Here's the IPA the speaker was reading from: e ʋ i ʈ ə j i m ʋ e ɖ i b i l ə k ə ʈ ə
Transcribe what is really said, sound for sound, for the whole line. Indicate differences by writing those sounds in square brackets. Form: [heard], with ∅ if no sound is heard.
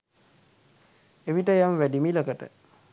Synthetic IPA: e ʋ i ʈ ə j [a] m ʋ [æ] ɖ i [m] i l ə k ə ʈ ə